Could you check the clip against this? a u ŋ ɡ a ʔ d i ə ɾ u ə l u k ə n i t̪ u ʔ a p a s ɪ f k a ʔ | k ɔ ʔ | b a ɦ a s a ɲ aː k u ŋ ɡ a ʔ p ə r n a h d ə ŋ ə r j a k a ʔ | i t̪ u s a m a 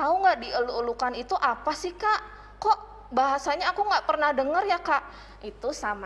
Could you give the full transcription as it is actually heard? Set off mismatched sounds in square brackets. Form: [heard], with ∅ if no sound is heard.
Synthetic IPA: a u ŋ ɡ a ʔ d i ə [l] u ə l u k [a] n i t̪ u ʔ a p a s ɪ [h] k a ʔ | k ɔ ʔ | b a ɦ a s a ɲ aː k u ŋ ɡ a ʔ p ə r n a h d ə ŋ ə r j a k a ʔ | i t̪ u s a m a